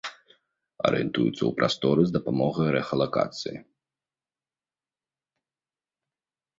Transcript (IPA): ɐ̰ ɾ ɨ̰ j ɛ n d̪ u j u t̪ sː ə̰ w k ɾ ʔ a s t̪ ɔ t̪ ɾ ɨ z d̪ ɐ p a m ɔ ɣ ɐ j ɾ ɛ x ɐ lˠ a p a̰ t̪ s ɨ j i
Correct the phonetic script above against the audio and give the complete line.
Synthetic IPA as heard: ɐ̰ ɾ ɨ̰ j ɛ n t̪ u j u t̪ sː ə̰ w p ɾ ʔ a s t̪ ɔ ɾ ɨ z d̪ ɐ p a m ɔ ɣ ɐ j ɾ ɛ x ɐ lˠ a k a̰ t̪ s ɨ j i

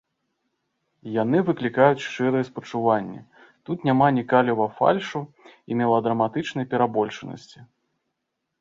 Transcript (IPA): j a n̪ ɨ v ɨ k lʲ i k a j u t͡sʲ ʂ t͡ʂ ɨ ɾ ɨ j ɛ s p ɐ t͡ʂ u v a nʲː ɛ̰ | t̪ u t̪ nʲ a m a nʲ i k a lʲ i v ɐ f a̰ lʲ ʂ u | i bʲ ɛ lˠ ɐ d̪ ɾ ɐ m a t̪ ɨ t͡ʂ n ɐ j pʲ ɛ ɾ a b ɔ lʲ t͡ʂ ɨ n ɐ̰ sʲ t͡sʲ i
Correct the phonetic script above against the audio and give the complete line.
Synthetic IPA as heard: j a n̪ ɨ v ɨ k lʲ i k a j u t͡sʲ ʂ t͡ʂ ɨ ɾ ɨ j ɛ s p ɐ t͡ʂ u v a nʲː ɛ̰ | t̪ u t̪ nʲ a m a nʲ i k a lʲ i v ɐ f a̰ lʲ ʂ u | i mʲ ɛ lˠ ɐ d̪ ɾ ɐ m a t̪ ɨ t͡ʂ n ɐ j pʲ ɛ ɾ a b ɔ lʲ t͡ʂ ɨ n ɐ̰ sʲ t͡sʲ i

